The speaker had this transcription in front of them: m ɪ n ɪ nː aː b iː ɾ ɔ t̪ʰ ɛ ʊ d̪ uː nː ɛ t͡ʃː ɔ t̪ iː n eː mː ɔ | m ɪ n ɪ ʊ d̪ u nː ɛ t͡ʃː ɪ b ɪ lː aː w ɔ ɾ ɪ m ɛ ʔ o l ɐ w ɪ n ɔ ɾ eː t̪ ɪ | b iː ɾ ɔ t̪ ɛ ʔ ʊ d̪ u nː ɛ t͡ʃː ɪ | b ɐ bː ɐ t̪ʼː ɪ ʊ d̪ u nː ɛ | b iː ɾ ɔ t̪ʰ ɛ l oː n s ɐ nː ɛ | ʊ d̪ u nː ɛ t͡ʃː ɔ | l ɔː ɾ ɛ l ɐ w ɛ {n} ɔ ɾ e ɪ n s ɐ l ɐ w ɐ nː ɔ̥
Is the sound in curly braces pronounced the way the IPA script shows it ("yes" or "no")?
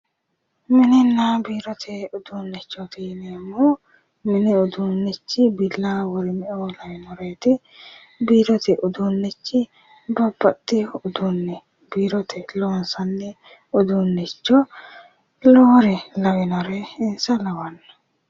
yes